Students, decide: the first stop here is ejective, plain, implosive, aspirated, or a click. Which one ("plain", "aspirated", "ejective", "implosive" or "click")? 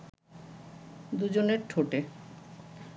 plain